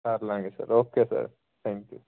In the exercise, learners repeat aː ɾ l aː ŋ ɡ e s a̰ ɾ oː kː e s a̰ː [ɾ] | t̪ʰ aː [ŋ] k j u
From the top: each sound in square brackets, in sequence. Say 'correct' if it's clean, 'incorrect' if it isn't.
correct, correct

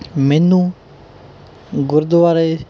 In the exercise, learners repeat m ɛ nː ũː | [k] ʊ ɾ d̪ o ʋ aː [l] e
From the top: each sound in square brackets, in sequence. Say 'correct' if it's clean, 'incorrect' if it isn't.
incorrect: ɡ, incorrect: ɾ

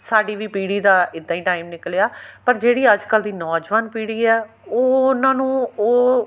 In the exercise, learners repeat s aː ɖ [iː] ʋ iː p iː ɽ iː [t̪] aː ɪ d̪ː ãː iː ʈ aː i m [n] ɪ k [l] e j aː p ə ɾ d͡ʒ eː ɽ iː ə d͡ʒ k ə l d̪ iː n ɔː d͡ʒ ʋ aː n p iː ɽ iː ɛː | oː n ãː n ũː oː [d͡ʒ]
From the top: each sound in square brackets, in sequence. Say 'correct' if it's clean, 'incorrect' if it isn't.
correct, incorrect: d̪, correct, correct, incorrect: none

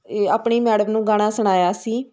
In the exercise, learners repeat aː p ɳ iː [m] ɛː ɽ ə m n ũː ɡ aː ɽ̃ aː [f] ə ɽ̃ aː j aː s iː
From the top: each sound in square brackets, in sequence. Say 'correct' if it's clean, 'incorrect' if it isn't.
correct, incorrect: s

